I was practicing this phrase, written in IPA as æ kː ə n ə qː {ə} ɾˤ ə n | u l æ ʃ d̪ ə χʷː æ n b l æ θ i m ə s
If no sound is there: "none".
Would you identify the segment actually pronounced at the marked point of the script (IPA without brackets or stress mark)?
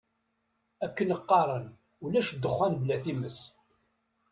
ɑ